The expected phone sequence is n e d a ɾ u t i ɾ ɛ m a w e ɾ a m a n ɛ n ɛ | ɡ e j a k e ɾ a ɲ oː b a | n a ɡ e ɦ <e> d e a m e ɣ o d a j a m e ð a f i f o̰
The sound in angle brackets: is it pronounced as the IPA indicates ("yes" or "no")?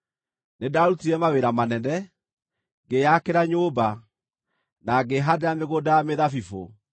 no